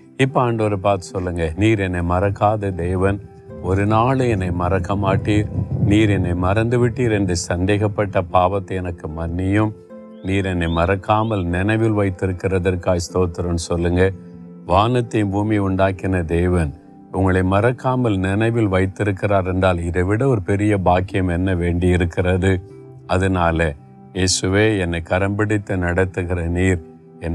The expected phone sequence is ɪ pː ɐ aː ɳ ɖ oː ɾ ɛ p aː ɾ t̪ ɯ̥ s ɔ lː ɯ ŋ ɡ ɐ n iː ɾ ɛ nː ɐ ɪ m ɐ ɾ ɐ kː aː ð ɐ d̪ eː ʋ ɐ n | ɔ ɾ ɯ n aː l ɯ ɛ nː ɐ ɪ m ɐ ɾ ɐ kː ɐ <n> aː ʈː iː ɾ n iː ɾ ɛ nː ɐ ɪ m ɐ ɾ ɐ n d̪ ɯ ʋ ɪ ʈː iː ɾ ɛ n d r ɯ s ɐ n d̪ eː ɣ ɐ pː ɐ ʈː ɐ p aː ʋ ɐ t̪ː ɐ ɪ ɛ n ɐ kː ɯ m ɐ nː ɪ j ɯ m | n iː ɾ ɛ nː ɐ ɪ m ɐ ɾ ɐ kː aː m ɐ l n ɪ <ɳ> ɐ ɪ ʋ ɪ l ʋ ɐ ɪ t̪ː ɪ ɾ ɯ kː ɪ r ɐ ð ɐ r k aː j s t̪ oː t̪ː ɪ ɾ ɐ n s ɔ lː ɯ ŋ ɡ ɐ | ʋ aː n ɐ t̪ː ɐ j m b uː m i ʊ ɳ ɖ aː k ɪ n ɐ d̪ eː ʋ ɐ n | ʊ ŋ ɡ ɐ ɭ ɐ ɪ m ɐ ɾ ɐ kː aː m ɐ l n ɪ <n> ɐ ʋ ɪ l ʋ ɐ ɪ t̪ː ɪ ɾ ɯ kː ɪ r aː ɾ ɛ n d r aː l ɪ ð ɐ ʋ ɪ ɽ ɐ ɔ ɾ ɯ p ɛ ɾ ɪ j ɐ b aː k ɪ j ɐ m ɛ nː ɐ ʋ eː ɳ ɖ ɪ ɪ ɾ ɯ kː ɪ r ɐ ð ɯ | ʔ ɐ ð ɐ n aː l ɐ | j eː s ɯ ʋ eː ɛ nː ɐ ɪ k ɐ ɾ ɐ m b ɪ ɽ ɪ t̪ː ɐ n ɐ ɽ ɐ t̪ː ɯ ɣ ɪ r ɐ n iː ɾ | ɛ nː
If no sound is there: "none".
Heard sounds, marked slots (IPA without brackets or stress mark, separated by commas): m, n, n